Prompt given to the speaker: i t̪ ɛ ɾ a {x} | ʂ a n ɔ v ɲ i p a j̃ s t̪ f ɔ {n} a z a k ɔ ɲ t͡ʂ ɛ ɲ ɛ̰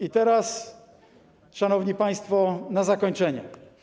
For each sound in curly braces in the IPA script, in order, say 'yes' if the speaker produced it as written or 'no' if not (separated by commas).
no, yes